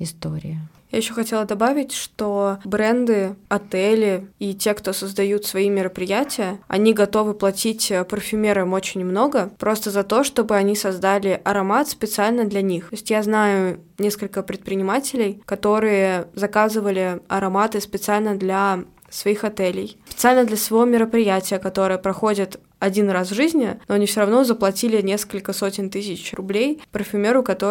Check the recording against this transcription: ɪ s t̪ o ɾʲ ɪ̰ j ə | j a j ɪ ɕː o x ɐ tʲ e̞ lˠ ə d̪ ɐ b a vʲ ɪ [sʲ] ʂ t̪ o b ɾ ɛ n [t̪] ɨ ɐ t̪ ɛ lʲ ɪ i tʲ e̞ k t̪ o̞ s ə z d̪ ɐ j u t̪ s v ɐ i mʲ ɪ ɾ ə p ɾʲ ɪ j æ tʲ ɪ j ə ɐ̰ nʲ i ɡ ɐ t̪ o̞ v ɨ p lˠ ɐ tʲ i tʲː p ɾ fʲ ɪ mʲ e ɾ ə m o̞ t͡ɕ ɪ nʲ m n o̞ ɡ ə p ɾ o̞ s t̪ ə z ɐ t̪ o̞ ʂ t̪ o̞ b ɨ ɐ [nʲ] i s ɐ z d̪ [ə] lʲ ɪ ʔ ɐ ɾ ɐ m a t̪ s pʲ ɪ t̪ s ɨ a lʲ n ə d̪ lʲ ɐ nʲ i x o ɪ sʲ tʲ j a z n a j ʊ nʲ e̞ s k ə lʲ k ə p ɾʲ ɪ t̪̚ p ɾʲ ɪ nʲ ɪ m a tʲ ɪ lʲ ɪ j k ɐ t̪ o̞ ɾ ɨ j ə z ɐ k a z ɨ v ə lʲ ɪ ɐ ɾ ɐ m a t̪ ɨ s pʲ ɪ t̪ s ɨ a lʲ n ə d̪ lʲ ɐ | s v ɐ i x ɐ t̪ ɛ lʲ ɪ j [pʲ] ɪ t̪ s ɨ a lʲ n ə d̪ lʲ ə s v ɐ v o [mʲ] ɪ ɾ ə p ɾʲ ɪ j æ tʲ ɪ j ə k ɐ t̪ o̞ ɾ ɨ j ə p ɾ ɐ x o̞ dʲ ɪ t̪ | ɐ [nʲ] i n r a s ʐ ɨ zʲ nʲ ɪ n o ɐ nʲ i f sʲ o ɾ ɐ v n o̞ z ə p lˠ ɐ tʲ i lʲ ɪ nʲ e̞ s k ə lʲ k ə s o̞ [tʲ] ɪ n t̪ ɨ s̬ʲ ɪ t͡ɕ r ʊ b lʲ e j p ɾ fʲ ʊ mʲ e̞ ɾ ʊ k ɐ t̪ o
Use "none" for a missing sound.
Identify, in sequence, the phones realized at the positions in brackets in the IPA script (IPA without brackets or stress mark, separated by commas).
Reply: tʲ, d̪, nʲ, a, pʲ, mʲ, dʲ, tʲ